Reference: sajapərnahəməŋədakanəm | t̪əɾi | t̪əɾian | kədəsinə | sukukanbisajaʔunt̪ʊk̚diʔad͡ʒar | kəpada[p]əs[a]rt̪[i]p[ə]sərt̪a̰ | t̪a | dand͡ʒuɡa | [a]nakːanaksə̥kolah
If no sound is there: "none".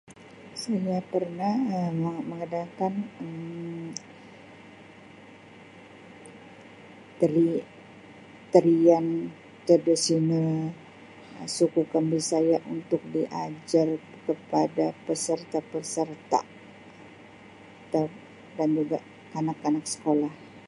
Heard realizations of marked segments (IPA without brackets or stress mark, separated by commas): p, ə, a, ə, a